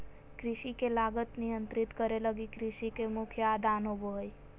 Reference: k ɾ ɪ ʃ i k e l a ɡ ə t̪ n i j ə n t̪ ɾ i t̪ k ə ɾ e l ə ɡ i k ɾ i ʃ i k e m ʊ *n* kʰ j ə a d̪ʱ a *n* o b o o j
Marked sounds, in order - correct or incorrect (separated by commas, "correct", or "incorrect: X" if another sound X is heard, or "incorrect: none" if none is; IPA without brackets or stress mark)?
incorrect: none, correct